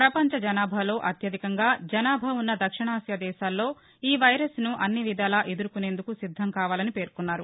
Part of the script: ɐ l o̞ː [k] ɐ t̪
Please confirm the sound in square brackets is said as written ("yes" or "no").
no